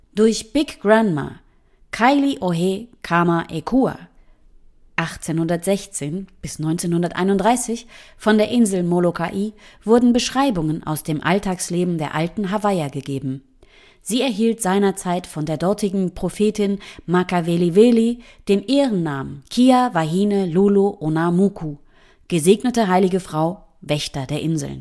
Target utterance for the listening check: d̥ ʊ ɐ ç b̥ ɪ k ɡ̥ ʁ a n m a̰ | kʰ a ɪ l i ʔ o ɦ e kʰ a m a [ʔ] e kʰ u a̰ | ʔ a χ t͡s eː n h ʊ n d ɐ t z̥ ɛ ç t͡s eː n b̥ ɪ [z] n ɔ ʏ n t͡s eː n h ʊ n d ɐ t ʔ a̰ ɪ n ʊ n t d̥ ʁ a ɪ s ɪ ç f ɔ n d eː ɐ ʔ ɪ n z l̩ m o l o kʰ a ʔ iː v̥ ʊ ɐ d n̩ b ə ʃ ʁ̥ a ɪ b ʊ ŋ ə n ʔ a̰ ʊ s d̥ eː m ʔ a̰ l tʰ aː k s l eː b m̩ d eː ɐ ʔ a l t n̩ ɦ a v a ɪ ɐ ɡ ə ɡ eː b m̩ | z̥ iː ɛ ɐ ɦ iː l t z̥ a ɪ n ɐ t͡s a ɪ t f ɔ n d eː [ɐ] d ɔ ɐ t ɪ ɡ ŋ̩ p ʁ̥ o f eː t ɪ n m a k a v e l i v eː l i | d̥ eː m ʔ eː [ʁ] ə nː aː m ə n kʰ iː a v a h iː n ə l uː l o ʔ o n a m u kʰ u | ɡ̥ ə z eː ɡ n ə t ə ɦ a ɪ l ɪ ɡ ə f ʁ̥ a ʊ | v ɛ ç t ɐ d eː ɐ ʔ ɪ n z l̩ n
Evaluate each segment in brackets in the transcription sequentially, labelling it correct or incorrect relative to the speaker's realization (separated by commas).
correct, incorrect, correct, correct